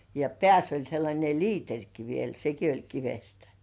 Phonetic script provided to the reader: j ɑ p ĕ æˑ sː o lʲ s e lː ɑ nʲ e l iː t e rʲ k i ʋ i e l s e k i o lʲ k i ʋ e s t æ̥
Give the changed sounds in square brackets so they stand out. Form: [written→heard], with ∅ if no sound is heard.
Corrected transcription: j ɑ p ĕ æˑ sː o lʲ s e lː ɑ nʲ e l iː t e rʲ k i ʋ i e l s e k i o lʲ k i ʋ e s t æ̥